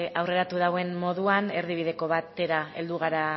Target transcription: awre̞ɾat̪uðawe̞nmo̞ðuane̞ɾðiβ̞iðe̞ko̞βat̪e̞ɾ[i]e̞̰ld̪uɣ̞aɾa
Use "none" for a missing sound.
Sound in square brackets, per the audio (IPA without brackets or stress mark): a